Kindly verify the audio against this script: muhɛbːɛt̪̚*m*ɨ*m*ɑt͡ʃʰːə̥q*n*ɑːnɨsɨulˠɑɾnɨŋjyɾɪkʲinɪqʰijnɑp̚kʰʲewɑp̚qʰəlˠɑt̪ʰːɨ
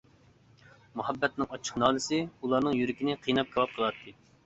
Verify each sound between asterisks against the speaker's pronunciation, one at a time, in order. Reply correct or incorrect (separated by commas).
incorrect, incorrect, correct